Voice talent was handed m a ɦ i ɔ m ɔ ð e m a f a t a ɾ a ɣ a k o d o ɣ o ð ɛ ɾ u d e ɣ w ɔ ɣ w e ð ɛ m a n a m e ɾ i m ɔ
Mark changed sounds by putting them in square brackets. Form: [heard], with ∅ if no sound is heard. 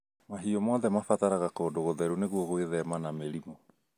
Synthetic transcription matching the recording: m a ɦ i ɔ m ɔ ð [ɛ] m a f a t a ɾ a ɣ a k o d o ɣ o ð ɛ ɾ u [n] e ɣ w ɔ ɣ w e ð ɛ m a n a m e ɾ i m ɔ